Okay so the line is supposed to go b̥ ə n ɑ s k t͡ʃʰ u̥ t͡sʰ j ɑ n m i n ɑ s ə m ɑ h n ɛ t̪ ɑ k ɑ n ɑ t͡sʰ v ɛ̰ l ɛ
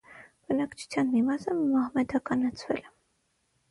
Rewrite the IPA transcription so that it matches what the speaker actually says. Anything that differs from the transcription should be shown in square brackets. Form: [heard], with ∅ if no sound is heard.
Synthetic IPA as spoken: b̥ ə n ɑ [∅] k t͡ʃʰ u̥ t͡sʰ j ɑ n m i [m] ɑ s ə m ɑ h [m] ɛ [d̪] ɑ k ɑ n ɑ t͡sʰ v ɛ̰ l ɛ